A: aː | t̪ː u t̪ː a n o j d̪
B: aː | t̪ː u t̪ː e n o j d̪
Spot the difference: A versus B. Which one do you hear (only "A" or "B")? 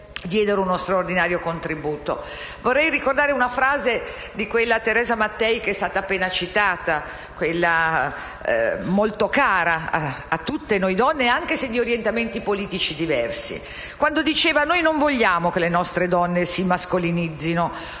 B